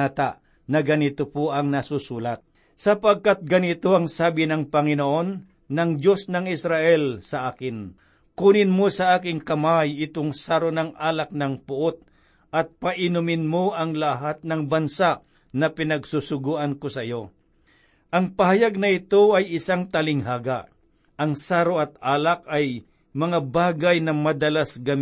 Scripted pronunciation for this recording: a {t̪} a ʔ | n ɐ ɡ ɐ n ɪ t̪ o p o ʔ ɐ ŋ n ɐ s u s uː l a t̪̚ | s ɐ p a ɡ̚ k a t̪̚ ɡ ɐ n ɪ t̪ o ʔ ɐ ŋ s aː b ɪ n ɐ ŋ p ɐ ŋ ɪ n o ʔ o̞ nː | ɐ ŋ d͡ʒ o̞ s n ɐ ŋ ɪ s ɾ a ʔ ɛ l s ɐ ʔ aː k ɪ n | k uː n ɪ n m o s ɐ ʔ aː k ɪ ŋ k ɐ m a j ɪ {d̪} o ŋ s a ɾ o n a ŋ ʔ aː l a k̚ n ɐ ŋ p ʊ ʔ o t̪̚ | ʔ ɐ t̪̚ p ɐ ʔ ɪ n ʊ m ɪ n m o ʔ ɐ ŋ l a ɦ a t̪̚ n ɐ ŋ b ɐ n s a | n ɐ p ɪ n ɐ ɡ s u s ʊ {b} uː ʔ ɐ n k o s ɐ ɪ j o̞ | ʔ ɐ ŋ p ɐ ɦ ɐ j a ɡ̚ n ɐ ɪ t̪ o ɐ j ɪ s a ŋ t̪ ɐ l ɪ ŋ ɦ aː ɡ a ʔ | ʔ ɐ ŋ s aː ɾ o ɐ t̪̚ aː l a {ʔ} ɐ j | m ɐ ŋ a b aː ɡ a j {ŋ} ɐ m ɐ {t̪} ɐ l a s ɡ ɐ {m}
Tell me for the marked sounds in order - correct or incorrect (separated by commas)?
correct, incorrect, incorrect, incorrect, incorrect, incorrect, correct